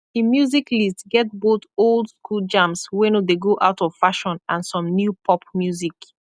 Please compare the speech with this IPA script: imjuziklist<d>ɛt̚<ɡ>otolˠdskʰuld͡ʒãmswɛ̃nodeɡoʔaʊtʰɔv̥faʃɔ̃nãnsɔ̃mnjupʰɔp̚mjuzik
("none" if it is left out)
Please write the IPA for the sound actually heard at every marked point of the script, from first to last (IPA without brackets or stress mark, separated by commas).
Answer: ɡ, b